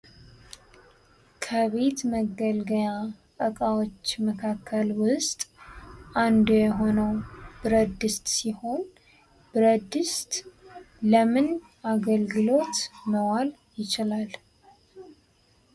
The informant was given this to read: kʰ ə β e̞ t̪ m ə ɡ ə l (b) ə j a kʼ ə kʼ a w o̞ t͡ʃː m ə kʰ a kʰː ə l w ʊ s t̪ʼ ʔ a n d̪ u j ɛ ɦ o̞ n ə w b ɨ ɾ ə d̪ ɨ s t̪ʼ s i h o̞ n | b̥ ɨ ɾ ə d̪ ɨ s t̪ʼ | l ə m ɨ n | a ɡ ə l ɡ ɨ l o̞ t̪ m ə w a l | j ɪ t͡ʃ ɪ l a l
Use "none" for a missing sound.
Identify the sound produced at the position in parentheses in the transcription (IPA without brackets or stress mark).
ɡ